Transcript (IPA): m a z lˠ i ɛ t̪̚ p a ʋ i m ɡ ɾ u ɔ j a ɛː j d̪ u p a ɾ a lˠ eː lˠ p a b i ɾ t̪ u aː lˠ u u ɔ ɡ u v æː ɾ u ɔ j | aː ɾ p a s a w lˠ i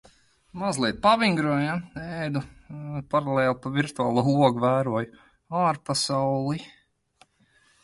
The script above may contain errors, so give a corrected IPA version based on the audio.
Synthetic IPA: m a z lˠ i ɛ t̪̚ p a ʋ i ŋ ɡ ɾ u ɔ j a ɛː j d̪ u p a ɾ a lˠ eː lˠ p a v i ɾ t̪ u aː lˠ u u ɔ ɡ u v æː ɾ u ɔ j | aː ɾ p a s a w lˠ i